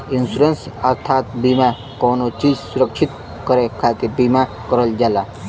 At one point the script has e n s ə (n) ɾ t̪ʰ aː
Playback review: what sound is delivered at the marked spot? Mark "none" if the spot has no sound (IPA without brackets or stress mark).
none